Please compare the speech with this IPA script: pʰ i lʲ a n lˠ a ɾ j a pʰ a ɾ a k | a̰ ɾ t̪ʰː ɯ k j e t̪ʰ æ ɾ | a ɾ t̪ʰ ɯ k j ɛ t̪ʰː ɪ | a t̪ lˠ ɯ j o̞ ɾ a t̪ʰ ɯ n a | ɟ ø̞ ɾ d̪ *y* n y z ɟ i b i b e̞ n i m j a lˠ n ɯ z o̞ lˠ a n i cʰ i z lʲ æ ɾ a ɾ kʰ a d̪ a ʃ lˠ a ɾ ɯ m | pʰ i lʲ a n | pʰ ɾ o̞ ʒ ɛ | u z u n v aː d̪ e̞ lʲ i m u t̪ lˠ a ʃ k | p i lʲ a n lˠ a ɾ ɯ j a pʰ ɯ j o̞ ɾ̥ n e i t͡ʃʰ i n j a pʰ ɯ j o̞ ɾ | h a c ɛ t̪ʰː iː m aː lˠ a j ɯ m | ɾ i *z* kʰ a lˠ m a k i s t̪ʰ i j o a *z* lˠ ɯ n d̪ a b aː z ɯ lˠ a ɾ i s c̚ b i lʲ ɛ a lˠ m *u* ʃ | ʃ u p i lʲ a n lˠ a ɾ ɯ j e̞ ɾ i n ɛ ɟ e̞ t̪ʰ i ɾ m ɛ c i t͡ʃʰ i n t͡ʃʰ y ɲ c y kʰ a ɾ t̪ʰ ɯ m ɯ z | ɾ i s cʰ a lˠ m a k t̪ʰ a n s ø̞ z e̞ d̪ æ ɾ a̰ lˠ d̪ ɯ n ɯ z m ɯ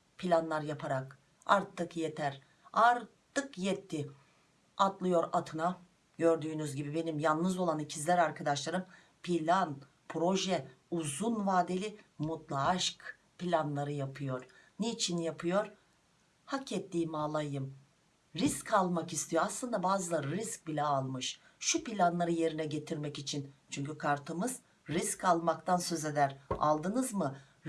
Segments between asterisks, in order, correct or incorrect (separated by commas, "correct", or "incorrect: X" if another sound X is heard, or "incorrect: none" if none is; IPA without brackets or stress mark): incorrect: yː, incorrect: s, incorrect: s, incorrect: ɯ